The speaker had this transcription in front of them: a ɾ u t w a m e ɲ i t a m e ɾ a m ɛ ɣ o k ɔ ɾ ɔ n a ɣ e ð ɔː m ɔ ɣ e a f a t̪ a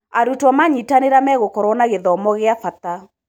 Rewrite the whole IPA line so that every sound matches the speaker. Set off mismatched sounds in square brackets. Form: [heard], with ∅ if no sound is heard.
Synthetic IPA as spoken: a ɾ u t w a m [a] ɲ i t a [n] e ɾ a m ɛ ɣ o k ɔ ɾ ɔ n a ɣ e ð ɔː m ɔ ɣ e a f a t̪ a